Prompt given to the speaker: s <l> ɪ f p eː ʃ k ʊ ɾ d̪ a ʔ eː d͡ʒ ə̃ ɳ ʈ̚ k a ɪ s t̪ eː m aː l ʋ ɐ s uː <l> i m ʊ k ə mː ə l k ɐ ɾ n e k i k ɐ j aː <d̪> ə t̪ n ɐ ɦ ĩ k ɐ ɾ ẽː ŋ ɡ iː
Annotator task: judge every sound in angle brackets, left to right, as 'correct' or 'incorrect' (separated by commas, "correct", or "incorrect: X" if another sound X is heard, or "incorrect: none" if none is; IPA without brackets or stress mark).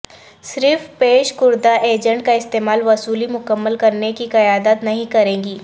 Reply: incorrect: ɾ, correct, correct